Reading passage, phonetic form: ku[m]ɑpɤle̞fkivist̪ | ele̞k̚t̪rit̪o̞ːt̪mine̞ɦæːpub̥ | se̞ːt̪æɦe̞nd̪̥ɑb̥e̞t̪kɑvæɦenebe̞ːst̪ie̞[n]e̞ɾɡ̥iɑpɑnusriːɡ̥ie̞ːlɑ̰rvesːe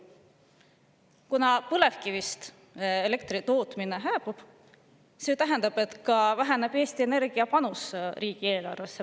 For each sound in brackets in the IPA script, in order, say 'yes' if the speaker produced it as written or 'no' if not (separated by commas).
no, yes